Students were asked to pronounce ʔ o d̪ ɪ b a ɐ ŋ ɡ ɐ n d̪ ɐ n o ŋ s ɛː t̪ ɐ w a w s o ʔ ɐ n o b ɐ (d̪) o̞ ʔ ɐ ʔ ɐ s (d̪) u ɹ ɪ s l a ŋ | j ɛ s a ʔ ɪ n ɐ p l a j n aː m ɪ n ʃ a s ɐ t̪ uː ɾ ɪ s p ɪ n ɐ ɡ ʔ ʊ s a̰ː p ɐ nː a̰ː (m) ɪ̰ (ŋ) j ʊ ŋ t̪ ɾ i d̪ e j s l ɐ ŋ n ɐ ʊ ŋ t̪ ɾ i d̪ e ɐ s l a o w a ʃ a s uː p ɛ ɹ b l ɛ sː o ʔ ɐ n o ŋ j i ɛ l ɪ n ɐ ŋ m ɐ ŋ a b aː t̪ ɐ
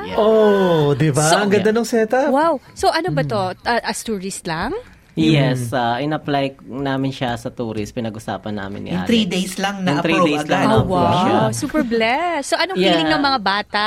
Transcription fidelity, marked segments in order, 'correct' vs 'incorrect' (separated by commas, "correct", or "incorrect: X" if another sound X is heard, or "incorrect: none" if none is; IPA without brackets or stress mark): incorrect: t̪, incorrect: t̪, correct, incorrect: n